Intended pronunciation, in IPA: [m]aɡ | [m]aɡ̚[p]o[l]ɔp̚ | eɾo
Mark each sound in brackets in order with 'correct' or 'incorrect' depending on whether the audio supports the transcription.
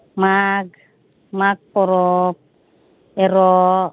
correct, correct, correct, incorrect: ɾ

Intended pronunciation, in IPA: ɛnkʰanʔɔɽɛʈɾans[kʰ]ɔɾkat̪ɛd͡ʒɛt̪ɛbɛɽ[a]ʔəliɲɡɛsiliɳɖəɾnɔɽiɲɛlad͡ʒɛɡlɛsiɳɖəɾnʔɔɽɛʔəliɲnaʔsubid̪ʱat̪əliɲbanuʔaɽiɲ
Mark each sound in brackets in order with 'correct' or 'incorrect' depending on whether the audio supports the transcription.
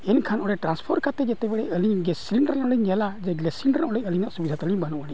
incorrect: pʰ, incorrect: ɛ

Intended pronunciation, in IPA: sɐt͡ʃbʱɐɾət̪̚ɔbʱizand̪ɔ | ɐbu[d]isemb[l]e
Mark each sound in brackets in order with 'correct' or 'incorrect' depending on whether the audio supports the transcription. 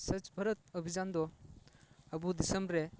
correct, incorrect: ɾ

